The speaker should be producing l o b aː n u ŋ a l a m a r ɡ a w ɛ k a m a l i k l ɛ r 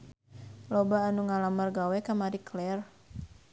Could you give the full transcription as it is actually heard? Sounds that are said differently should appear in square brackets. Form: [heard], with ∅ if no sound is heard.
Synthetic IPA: l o b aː n u ŋ a l a m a r ɡ a w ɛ k a m a [ɾ] i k l ɛ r